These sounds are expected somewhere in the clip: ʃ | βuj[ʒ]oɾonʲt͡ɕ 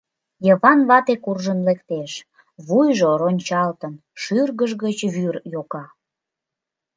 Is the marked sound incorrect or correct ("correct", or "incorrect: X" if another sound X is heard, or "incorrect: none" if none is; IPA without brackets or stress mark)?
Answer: correct